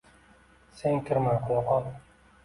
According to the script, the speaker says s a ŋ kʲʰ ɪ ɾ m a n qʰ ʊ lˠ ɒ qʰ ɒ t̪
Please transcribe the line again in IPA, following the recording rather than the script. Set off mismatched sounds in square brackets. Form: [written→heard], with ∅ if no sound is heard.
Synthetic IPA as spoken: s [a→e] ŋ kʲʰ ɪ ɾ m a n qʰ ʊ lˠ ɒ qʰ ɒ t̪